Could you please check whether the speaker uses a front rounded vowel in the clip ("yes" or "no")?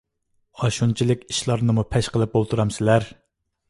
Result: no